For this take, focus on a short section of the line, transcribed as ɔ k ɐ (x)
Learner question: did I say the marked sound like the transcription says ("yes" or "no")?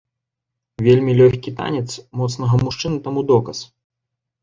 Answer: no